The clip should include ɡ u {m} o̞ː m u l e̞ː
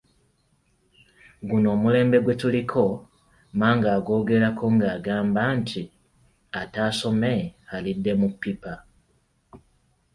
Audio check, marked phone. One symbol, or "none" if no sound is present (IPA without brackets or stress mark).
n